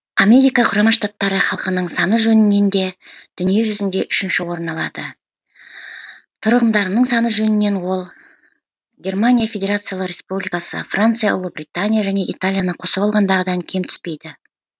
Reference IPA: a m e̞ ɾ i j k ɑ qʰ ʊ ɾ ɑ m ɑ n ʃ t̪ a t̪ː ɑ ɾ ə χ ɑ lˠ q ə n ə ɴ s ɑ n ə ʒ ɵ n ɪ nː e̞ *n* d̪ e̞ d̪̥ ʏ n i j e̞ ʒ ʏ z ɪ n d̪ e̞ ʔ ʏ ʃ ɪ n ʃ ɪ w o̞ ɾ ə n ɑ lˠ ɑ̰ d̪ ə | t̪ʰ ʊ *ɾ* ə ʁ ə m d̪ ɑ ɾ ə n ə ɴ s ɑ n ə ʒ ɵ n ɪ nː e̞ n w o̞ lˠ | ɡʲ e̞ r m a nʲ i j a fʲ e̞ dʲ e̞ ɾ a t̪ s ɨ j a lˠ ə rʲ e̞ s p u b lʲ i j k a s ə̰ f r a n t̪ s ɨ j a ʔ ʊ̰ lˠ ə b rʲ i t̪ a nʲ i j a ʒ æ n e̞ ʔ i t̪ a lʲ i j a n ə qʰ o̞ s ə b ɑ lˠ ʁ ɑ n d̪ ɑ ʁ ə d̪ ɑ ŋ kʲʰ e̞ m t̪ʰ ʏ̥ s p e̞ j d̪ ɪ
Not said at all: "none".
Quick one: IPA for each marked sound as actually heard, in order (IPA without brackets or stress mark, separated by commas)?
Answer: n, ɾ